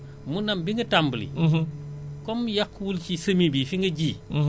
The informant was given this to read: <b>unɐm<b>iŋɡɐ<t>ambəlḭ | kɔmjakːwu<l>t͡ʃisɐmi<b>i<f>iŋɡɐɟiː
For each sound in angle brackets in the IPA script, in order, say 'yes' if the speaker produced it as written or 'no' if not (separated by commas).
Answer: no, yes, yes, yes, yes, yes